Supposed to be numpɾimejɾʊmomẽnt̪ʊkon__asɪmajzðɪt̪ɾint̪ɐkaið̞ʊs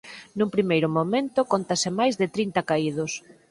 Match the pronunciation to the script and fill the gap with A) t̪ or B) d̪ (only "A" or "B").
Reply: A